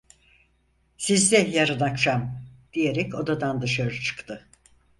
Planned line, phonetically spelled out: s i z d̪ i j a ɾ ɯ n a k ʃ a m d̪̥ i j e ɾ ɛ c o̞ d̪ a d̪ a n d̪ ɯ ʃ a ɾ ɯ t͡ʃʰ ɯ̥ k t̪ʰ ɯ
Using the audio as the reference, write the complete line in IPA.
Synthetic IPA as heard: s i z d̪ ɛ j a ɾ ɯ n a k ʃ a m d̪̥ i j e ɾ ɛ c o̞ d̪ a d̪ a n d̪ ɯ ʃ a ɾ ɯ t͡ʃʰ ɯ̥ k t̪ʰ ɯ